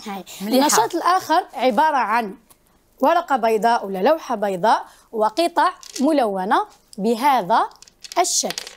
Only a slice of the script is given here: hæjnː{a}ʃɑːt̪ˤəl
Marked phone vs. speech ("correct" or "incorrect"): incorrect